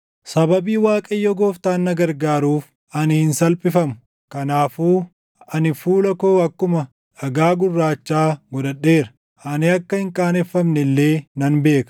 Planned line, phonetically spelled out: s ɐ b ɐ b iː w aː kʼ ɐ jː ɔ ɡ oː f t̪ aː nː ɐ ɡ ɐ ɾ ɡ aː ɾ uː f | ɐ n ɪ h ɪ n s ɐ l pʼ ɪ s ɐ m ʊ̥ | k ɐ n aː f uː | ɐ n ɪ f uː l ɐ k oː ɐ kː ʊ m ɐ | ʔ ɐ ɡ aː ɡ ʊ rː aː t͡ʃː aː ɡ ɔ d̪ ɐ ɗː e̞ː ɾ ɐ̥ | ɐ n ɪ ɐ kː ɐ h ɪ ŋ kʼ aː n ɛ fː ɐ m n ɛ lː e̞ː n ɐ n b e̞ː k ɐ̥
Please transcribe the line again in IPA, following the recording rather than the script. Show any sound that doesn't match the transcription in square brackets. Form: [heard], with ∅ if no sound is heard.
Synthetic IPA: s ɐ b ɐ b iː w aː kʼ ɐ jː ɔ ɡ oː f t̪ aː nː ɐ ɡ ɐ ɾ ɡ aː ɾ uː f | ɐ n ɪ h ɪ n s ɐ l pʼ ɪ [f] ɐ m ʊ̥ | k ɐ n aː f uː | ɐ n ɪ f uː l ɐ k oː ɐ kː ʊ m ɐ | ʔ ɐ ɡ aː ɡ ʊ rː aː t͡ʃː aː ɡ ɔ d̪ ɐ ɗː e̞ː ɾ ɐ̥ | ɐ n ɪ ɐ kː ɐ h ɪ ŋ kʼ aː n ɛ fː ɐ m n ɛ lː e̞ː n ɐ n b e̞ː k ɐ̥